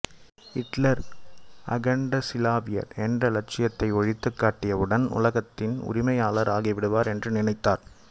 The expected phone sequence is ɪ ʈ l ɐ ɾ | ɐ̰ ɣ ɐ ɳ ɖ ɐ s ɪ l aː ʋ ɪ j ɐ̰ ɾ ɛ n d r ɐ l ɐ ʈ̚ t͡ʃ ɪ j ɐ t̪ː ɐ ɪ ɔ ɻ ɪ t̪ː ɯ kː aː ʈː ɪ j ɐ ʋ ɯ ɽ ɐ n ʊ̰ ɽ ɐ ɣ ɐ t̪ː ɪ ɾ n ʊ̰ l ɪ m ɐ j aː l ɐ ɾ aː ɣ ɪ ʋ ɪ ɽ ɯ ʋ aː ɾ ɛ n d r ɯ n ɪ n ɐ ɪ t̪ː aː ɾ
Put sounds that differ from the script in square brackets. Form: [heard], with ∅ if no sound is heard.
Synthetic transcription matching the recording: ɪ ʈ l ɐ ɾ | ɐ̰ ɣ ɐ ɳ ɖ ɐ s ɪ l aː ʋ ɪ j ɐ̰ ɾ ɛ n d r ɐ l ɐ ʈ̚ t͡ʃ ɪ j ɐ t̪ː ɐ ɪ ɔ ɻ ɪ t̪ː ɯ kː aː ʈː ɪ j ɐ ʋ ɯ ɽ ɐ n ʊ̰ [l] ɐ ɣ ɐ t̪ː ɪ [∅] n ʊ̰ [ɾ] ɪ m ɐ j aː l ɐ ɾ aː ɣ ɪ ʋ ɪ ɽ ɯ ʋ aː ɾ ɛ n d r ɯ n ɪ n ɐ ɪ t̪ː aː ɾ